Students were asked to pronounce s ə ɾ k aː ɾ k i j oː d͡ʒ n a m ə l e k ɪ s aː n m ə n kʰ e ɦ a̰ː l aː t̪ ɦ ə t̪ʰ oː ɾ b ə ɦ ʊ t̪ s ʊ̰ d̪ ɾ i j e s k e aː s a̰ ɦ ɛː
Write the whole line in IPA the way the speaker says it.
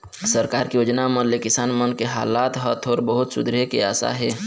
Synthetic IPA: s ə ɾ k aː ɾ k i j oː d͡ʒ n a m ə l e k ɪ s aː n m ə n k e ɦ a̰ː l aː t̪ ɦ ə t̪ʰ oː ɾ b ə ɦ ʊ t̪ s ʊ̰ d̪ ɾ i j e k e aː s a̰ ɦ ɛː